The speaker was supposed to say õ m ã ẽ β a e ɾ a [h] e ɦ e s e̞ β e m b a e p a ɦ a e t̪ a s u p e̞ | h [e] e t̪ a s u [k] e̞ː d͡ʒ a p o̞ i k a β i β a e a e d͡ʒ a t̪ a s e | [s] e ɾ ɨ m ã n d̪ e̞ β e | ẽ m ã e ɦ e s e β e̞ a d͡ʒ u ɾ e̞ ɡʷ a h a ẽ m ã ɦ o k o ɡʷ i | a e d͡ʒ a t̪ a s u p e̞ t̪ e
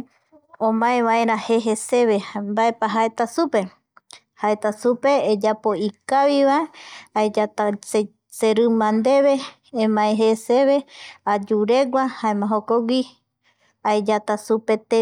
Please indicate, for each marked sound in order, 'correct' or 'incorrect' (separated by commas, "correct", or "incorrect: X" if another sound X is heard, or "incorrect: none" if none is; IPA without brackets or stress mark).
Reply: correct, incorrect: a, incorrect: p, correct